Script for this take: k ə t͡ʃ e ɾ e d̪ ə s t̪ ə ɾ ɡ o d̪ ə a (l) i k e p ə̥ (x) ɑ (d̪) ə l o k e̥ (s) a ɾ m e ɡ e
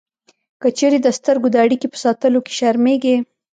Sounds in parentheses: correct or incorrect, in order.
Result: incorrect: ɽ, incorrect: s, incorrect: t̪, incorrect: ʃ

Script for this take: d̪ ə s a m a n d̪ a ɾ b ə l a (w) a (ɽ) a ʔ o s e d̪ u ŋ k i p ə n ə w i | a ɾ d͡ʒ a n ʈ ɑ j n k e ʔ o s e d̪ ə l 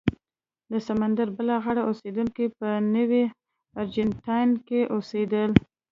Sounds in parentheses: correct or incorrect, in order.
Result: incorrect: ɣ, correct

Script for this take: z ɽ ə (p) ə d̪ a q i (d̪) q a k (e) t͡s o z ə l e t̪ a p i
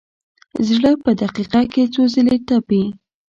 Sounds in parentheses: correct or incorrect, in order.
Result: correct, incorrect: none, correct

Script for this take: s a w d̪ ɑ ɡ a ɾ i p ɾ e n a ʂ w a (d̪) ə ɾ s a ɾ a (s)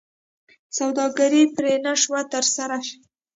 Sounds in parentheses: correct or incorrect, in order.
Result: incorrect: t̪, incorrect: ʃ

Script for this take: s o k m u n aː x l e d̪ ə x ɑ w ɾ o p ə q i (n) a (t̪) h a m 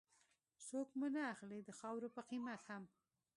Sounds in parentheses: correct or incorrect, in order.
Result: incorrect: m, correct

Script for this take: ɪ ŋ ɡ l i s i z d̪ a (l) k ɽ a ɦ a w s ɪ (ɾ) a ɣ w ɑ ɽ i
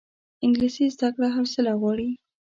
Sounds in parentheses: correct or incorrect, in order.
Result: incorrect: none, incorrect: l

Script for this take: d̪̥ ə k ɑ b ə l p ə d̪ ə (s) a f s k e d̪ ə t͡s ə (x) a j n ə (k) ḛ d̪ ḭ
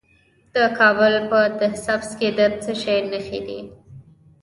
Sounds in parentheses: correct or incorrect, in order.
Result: correct, incorrect: ʃ, incorrect: x

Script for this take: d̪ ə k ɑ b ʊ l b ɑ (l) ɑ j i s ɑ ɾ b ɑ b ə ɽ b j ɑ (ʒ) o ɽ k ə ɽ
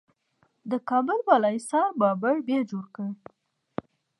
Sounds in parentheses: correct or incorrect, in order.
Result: correct, incorrect: d͡ʒ

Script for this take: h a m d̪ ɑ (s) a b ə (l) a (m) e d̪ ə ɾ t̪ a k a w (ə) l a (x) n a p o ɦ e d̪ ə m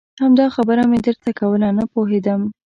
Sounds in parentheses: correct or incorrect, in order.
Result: incorrect: x, incorrect: ɾ, correct, correct, incorrect: none

